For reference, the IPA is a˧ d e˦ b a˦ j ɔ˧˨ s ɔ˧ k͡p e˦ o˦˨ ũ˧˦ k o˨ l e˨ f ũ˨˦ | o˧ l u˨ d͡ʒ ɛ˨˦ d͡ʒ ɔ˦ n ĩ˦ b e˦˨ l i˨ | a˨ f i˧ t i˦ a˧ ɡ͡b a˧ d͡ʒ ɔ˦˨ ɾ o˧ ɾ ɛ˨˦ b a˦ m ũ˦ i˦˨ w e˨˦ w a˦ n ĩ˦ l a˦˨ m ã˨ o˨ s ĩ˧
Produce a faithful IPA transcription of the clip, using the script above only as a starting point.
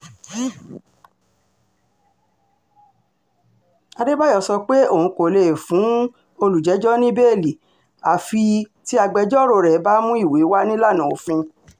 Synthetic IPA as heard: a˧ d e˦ b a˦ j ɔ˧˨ s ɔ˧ k͡p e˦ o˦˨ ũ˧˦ k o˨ l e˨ f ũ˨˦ | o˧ l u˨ d͡ʒ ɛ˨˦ d͡ʒ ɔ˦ n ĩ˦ b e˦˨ l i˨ | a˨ f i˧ t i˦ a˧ ɡ͡b ɛ˧ d͡ʒ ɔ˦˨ ɾ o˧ ɾ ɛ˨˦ b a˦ m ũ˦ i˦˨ w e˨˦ w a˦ n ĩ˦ l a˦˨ n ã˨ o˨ f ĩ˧